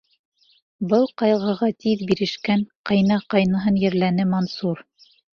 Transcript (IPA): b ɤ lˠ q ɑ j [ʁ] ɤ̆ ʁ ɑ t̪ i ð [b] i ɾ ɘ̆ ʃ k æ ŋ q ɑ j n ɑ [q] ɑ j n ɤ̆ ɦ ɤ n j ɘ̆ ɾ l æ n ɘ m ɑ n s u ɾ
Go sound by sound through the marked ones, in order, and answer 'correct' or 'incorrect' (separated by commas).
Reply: correct, correct, correct